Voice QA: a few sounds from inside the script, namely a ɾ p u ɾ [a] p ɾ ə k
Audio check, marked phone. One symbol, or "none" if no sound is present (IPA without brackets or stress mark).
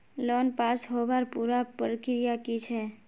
a